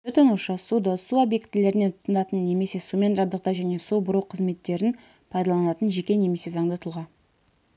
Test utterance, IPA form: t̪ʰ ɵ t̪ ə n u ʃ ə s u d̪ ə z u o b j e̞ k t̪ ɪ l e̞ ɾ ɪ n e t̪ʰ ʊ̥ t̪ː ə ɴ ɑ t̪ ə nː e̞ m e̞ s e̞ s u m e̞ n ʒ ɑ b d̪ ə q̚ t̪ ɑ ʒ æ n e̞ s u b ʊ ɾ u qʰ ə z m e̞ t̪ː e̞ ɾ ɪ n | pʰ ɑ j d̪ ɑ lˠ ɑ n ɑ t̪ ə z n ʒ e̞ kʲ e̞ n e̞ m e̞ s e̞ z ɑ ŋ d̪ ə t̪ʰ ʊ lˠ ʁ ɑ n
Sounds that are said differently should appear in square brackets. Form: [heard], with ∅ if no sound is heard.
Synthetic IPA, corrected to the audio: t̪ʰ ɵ t̪ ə n u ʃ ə s u d̪ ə [s] u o b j e̞ k t̪ ɪ l e̞ ɾ ɪ n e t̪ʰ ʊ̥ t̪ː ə [n] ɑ t̪ ə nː e̞ m e̞ s e̞ s u m e̞ n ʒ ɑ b d̪ ə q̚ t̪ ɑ ʒ æ n e̞ s u b ʊ ɾ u qʰ ə z m e̞ t̪ː e̞ ɾ ɪ n | pʰ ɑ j d̪ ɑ lˠ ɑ n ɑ t̪ ə [∅] n ʒ e̞ kʲ e̞ n e̞ m e̞ s e̞ z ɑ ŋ d̪ ə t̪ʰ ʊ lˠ ʁ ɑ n